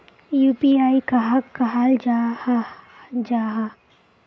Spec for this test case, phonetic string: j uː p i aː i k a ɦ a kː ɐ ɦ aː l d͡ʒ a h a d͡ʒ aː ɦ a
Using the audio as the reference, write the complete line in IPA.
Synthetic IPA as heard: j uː p i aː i k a ɦ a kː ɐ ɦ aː l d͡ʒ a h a d͡ʒ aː ɦ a